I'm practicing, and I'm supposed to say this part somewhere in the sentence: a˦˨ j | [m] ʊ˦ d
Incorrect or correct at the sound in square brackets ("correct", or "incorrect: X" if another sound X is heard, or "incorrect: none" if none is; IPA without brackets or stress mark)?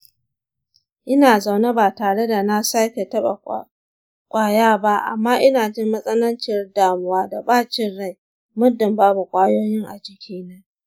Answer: correct